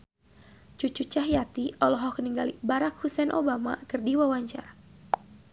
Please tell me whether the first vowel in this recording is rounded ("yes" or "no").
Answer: yes